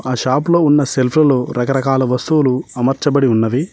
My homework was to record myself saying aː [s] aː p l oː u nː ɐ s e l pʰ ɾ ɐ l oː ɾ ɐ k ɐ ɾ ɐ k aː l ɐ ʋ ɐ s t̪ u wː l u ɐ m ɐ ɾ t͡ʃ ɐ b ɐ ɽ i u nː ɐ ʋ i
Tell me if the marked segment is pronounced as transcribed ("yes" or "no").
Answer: no